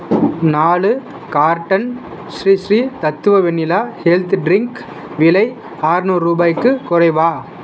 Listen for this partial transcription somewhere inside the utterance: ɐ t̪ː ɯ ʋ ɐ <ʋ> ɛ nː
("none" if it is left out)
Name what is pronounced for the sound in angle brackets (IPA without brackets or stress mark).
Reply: ʋ